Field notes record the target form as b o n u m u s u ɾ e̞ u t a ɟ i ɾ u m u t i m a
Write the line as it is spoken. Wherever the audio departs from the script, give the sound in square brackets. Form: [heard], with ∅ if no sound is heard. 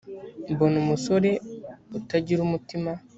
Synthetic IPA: b o n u m u s [o] ɾ e̞ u t a ɟ i ɾ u m u t i m a